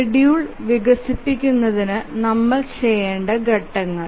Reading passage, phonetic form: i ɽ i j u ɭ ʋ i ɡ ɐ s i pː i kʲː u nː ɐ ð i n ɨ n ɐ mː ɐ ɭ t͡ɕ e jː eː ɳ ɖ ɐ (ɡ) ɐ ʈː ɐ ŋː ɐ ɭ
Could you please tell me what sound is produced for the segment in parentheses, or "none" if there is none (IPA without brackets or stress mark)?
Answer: ɡ